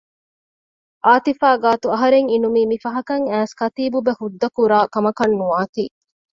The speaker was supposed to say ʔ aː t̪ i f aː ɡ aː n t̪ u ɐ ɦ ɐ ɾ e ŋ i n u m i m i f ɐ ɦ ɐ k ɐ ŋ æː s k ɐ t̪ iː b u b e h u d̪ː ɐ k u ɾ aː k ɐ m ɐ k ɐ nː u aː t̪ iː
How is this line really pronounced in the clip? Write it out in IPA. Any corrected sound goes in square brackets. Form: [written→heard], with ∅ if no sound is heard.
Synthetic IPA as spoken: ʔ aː t̪ i f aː ɡ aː [n→∅] t̪ u ɐ ɦ ɐ ɾ e ŋ i n u m [i→iː] m i f ɐ ɦ ɐ k ɐ ŋ æː s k ɐ t̪ iː b u b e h u d̪ː ɐ k u ɾ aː k ɐ m ɐ k ɐ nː u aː t̪ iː